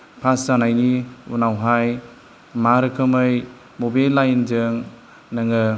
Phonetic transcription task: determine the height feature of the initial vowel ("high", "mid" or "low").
low